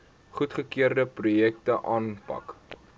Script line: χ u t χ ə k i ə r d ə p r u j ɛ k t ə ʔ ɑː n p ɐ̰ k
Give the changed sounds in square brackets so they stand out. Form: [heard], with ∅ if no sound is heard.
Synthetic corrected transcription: χ u t χ ə k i ə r d ə p r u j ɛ k t ə ʔ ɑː n p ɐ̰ k